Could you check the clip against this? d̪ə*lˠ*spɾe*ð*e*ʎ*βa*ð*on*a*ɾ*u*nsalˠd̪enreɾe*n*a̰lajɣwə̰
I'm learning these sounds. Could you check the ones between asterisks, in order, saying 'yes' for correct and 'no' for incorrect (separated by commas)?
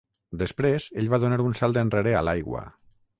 no, no, yes, yes, yes, yes, no